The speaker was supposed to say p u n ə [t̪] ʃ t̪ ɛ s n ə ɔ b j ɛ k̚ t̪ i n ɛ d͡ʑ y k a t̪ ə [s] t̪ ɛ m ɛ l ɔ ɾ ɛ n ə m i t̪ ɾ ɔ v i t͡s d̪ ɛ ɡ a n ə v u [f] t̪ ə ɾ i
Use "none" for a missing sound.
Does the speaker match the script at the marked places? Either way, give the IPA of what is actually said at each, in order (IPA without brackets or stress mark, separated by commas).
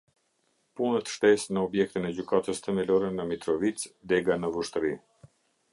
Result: t̪, s, ʃ